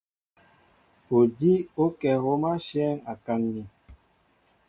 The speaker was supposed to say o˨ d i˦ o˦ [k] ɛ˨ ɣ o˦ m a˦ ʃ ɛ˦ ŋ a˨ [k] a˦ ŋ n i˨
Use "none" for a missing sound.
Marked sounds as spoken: k, k

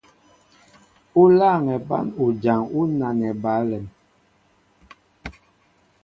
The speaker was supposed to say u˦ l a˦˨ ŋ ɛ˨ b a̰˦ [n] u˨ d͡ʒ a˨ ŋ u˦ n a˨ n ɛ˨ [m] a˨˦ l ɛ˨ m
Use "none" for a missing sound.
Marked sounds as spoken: n, b

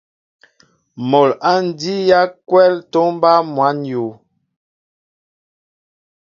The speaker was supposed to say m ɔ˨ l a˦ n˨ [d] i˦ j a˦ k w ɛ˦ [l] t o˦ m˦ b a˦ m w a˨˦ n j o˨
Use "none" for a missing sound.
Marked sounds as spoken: d, l

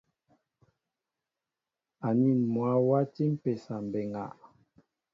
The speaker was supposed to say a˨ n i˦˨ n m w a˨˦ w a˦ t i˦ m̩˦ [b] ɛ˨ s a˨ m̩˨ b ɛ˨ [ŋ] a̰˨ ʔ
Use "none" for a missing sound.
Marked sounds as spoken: p, ŋ

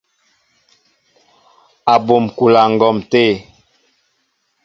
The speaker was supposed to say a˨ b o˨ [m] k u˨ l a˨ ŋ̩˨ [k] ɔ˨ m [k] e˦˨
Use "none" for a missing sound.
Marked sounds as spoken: m, ɡ, t

